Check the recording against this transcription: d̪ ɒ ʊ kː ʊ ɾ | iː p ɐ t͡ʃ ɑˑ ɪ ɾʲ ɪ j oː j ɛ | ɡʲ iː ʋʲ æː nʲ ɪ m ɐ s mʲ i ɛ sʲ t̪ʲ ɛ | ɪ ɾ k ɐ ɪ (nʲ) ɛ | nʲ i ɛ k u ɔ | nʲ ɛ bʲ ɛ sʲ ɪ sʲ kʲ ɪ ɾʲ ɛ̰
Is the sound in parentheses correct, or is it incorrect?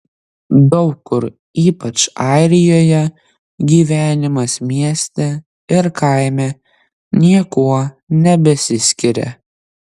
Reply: incorrect